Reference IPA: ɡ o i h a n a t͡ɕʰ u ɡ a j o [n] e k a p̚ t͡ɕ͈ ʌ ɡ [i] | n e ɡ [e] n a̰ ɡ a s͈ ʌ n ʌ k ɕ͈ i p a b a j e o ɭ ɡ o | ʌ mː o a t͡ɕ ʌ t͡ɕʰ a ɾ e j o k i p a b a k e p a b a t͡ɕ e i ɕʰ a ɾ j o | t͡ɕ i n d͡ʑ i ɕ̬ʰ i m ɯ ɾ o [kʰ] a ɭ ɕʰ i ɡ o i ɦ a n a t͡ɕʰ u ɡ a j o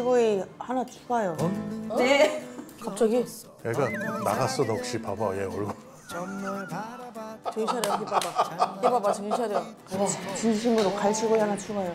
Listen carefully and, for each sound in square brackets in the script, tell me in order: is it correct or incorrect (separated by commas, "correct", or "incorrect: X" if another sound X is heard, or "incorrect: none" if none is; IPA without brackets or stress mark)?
correct, correct, incorrect: a, incorrect: k